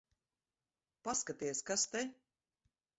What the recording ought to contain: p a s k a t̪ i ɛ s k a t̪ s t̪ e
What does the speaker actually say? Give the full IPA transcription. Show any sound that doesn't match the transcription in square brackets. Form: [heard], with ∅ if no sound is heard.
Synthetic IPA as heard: p a s k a t̪ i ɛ s k a [∅] s t̪ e